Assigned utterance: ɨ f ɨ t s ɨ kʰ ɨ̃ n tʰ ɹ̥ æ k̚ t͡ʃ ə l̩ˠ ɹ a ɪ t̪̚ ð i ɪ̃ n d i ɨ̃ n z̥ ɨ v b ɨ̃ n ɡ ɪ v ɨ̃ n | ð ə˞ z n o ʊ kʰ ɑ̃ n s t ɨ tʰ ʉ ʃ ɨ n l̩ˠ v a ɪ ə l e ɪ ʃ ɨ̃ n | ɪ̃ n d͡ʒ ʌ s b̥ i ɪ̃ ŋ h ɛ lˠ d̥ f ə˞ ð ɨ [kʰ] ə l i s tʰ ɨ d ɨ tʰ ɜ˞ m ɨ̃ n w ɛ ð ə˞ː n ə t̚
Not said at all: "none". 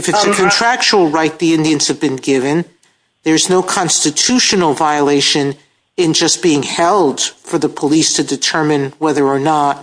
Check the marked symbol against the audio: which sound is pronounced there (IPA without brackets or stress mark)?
pʰ